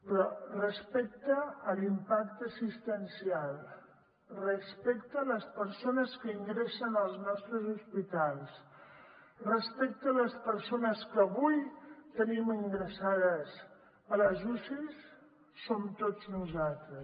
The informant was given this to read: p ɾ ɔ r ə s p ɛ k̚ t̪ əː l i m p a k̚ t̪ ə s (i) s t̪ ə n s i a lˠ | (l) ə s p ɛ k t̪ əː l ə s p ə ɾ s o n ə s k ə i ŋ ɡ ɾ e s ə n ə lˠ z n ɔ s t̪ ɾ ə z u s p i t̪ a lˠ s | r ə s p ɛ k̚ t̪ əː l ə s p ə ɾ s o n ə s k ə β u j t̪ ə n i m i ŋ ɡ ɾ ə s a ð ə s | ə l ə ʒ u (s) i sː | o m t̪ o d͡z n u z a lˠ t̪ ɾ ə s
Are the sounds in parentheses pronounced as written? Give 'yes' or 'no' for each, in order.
yes, no, yes

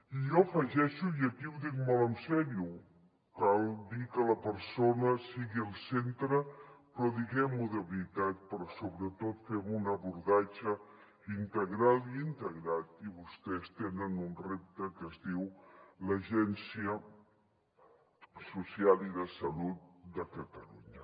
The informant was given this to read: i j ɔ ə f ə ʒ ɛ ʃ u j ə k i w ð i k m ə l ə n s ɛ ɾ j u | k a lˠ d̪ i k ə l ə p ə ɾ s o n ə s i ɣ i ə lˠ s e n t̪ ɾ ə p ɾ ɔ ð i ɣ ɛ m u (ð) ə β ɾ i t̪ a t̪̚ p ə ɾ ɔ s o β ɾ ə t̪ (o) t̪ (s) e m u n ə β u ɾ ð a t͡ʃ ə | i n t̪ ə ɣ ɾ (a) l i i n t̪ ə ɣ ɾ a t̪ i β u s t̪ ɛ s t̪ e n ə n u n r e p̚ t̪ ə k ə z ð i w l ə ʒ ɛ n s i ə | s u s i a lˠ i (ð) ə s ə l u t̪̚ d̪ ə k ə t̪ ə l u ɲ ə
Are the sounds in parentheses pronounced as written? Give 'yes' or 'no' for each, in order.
yes, yes, no, yes, yes

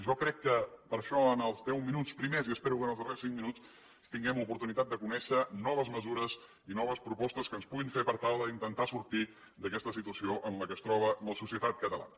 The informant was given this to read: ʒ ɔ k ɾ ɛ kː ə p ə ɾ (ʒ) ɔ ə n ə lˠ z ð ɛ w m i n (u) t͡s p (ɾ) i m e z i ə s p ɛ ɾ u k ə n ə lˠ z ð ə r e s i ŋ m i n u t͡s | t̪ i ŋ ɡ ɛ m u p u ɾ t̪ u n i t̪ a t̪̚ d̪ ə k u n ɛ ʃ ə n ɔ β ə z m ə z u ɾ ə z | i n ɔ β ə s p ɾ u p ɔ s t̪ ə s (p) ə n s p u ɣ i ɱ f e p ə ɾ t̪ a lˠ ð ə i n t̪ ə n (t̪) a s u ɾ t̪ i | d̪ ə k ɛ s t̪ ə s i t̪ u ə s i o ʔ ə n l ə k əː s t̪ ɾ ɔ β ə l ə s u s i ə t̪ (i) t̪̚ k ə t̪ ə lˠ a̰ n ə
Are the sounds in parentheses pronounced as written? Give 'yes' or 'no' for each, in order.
no, yes, yes, no, yes, no

